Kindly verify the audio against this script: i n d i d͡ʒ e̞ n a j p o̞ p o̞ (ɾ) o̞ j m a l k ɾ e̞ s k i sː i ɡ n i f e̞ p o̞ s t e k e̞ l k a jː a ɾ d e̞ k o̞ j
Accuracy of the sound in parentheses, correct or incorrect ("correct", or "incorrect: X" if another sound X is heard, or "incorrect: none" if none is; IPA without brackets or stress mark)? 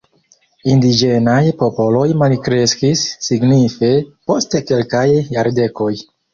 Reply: incorrect: l